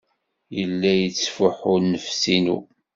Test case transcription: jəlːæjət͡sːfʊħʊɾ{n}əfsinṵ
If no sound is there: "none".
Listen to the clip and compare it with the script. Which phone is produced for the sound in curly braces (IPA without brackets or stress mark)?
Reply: n